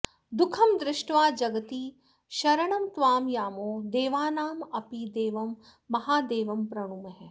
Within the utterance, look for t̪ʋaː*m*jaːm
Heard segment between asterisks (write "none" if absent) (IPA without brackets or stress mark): m